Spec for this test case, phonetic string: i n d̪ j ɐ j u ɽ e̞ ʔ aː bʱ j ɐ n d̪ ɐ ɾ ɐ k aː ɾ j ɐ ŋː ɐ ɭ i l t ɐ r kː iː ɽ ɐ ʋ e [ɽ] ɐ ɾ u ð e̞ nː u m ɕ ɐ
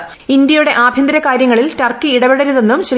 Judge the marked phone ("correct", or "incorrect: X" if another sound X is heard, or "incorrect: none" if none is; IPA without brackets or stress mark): correct